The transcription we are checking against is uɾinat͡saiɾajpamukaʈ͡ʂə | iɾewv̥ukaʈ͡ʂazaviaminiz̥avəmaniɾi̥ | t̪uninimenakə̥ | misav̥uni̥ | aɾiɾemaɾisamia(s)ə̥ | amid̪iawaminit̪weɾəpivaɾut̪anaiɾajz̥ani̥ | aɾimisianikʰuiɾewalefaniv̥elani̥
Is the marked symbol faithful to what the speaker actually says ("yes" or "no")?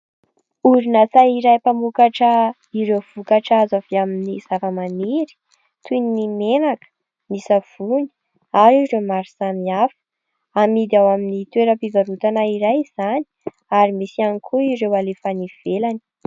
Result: no